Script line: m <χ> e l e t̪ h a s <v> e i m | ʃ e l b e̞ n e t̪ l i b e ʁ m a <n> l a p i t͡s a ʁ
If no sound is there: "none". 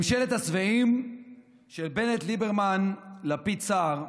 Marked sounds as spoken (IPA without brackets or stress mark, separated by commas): ʃ, v, n